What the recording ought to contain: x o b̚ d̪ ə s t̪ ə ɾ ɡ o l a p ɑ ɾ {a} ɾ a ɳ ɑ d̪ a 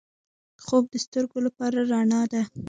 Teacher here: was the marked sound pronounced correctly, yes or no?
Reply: yes